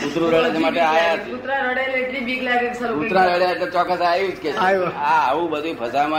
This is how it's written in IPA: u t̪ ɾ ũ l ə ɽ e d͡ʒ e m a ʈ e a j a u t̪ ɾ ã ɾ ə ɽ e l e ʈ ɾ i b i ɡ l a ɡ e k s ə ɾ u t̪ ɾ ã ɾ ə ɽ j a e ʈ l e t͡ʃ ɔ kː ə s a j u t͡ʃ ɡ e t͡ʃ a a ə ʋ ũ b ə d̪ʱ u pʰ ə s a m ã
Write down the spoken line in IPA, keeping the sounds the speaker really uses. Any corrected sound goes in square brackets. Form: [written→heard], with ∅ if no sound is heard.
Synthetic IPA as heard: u t̪ ɾ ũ [l→ɾ] ə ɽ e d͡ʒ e m a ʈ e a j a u t̪ ɾ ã ɾ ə ɽ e l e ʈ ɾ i b i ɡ l a ɡ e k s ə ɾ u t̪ ɾ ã ɾ ə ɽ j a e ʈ l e t͡ʃ ɔ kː ə s a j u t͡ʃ [ɡ→k] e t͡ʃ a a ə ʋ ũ b ə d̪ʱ u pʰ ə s a m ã